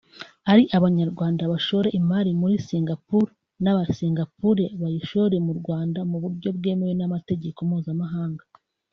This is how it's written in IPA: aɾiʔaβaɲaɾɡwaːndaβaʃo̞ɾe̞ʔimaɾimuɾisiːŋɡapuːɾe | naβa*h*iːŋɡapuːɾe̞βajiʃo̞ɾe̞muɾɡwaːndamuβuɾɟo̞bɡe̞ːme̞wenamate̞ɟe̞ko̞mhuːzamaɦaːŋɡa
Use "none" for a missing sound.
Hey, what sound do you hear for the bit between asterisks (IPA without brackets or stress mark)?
s